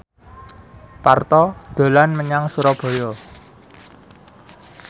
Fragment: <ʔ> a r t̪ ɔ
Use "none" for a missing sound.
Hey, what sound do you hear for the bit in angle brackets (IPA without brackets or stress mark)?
p